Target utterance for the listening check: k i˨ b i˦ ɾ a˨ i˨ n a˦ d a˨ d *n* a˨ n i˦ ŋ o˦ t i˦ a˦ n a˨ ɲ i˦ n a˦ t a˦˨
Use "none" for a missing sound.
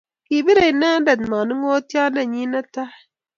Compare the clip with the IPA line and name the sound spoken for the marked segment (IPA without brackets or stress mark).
m